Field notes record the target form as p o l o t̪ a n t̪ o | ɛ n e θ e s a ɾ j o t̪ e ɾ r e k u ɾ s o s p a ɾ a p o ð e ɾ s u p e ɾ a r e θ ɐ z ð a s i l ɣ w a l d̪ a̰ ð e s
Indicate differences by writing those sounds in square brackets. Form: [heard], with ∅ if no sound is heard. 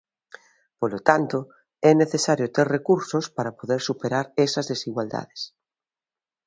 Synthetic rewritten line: p o l o t̪ a n t̪ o | ɛ n e θ e s a ɾ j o t̪ e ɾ r e k u ɾ s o s p a ɾ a p o ð e ɾ s u p e ɾ a [ɾ] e [s] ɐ z ð [e] s i [∅] ɣ w a l d̪ a̰ ð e s